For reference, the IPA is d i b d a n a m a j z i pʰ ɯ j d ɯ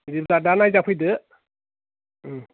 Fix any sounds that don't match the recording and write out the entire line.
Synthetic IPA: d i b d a d a n a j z a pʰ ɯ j d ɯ